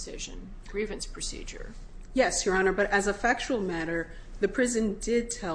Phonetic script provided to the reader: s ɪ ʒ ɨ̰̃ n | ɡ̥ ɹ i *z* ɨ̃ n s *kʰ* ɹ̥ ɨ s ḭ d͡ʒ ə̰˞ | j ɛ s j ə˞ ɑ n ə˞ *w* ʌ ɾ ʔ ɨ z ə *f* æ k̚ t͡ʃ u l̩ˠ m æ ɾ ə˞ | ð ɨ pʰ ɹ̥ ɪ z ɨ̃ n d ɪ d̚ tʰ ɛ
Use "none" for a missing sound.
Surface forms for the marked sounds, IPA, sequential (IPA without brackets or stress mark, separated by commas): v, pʰ, b, f